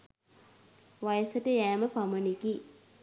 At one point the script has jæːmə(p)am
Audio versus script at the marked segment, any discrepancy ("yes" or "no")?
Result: no